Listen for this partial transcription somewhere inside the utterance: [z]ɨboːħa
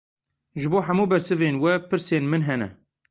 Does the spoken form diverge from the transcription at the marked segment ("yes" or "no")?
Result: yes